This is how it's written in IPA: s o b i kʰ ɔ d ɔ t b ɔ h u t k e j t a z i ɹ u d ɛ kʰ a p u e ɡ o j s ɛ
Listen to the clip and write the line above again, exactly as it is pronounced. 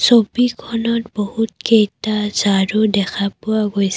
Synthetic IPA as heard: s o b i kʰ ɔ n ɔ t b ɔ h u t k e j t a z a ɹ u d ɛ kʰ a p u a ɡ o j s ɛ